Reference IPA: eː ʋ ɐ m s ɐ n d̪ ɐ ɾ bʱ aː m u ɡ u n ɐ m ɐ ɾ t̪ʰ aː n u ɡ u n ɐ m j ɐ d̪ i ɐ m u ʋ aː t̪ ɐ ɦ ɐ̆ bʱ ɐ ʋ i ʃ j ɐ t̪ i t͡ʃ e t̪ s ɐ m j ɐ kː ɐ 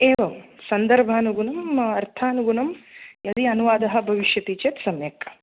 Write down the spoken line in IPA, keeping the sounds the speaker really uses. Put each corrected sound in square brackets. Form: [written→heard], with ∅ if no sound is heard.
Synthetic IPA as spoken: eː ʋ ɐ m s ɐ n d̪ ɐ ɾ bʱ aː [m→n] u ɡ u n ɐ m ɐ ɾ t̪ʰ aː n u ɡ u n ɐ m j ɐ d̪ i ɐ [m→n] u ʋ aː [t̪→d̪] ɐ ɦ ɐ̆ bʱ ɐ ʋ i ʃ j ɐ t̪ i t͡ʃ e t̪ s ɐ m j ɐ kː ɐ

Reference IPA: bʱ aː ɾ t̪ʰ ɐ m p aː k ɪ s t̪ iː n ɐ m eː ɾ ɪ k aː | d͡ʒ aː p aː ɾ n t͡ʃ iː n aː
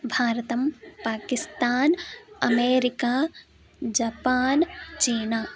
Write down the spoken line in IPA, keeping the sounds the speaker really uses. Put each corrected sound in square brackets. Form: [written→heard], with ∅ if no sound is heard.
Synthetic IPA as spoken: bʱ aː ɾ [t̪ʰ→t̪] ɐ m p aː k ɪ s t̪ [iː→aː] n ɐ m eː ɾ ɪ k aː | d͡ʒ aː p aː [ɾ→∅] n t͡ʃ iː n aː

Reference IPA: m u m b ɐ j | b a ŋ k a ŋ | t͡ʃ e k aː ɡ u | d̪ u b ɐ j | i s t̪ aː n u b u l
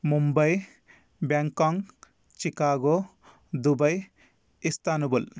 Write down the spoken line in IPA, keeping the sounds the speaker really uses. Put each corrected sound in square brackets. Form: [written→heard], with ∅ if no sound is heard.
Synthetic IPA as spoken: m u m b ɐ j | b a ŋ k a ŋ | t͡ʃ [e→i] k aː ɡ [u→o] | d̪ u b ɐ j | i s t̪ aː n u b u l

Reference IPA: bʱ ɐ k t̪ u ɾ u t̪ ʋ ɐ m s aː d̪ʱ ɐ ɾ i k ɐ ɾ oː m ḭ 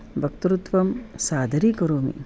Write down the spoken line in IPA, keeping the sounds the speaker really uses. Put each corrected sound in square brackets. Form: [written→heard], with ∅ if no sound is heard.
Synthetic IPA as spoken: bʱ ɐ k t̪ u ɾ u t̪ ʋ ɐ m s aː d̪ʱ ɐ ɾ i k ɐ ɾ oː m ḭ

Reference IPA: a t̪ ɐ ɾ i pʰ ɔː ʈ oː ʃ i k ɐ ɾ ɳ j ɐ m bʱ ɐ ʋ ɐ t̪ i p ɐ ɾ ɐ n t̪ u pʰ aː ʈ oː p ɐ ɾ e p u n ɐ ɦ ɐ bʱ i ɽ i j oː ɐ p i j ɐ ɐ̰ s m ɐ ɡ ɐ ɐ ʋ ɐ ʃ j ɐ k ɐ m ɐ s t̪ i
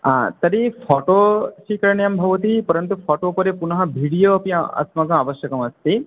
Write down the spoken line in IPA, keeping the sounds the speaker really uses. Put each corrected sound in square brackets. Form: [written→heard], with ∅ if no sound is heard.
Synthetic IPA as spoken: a t̪ ɐ ɾ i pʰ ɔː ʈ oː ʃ i k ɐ ɾ ɳ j ɐ m bʱ ɐ ʋ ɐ t̪ i p ɐ ɾ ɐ n t̪ u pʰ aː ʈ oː p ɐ ɾ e p u n ɐ ɦ ɐ bʱ i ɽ i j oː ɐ p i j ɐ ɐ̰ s m ɐ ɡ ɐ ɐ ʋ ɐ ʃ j ɐ k ɐ m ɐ s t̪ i

